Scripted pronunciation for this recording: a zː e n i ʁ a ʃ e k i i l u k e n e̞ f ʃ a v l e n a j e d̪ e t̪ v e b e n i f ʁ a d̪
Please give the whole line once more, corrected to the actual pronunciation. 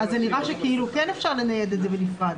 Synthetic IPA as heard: a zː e n i ʁ a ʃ e k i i l u k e n e̞ f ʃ a ʁ l e n a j e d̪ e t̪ z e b e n i f ʁ a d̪

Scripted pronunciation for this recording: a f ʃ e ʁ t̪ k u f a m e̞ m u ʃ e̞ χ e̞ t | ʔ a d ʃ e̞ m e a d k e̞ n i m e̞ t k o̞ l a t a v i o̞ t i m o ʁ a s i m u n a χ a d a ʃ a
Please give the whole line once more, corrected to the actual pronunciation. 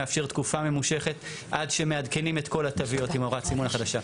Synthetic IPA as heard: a f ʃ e ʁ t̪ k u f a m e̞ m u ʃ e̞ χ e̞ t | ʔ a d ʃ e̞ m e a d k e̞ n i m e̞ t k o̞ l a t a v i o̞ t i m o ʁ a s i m u n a χ a d a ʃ a

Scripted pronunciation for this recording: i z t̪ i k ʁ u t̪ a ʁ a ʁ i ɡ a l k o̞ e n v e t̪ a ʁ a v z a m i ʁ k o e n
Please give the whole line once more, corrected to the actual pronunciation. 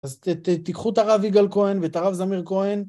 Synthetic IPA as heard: a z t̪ i k χ u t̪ a ʁ a v i ɡ a l k o̞ e n v e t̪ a ʁ a v z a m i ʁ k o e n

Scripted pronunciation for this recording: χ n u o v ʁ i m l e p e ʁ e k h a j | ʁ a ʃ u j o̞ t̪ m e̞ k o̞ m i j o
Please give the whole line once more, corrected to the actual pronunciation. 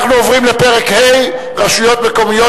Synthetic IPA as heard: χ n u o v ʁ i m l e p e ʁ e k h e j | ʁ a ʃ u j o̞ t̪ m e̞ k o̞ m i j o

